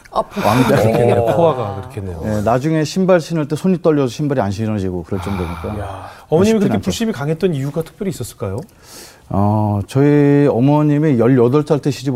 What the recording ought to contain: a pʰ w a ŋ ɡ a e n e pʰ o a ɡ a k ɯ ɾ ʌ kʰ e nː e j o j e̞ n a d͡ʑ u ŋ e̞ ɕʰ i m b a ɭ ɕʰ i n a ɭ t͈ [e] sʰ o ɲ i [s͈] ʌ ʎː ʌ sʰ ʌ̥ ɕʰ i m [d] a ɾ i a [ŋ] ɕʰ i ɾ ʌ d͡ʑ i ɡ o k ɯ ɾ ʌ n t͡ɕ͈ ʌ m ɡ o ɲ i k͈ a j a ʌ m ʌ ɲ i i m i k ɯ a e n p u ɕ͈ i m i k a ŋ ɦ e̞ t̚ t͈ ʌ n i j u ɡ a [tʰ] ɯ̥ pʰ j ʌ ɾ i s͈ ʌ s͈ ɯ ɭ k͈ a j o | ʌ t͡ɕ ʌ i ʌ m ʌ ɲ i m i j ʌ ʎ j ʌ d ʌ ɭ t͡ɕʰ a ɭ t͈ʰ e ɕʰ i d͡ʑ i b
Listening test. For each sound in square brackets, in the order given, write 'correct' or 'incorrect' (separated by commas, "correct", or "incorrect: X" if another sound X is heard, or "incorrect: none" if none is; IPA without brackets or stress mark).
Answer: correct, incorrect: t͈, incorrect: b, incorrect: n, correct